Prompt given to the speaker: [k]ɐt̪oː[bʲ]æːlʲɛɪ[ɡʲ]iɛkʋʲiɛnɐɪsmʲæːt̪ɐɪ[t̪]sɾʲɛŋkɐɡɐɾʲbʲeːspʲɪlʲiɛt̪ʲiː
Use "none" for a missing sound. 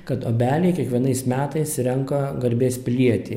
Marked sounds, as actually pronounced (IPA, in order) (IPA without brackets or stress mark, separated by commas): k, bʲ, kʲ, none